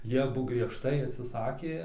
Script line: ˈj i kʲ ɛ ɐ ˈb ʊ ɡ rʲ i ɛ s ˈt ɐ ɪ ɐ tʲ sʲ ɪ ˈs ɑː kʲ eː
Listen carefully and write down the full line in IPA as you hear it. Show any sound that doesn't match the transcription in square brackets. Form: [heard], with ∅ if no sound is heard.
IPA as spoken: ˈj i [∅] ɛ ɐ ˈb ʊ ɡ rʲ i ɛ [ʃ] ˈt ɐ ɪ ɐ tʲ sʲ ɪ ˈs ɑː kʲ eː